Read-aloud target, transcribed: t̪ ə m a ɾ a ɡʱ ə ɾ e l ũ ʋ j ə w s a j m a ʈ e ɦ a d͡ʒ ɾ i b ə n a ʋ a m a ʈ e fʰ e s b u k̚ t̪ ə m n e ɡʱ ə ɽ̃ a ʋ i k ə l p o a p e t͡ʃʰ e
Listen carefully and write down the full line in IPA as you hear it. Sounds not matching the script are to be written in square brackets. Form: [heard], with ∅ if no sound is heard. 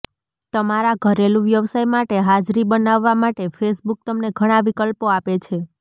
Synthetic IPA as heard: t̪ ə m a ɾ a ɡʱ ə ɾ e l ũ ʋ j ə [ʋ] s a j m a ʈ e ɦ a d͡ʒ ɾ i b ə n a [ʋː] a m a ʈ e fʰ e s b u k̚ t̪ ə m n e ɡʱ ə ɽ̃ a ʋ i k ə l p o a p e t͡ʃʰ e